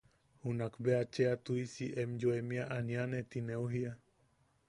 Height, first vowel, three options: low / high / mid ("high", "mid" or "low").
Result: high